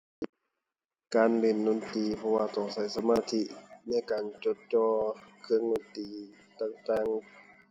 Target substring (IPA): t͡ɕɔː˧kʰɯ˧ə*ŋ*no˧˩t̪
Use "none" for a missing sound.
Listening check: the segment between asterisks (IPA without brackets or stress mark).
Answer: ŋ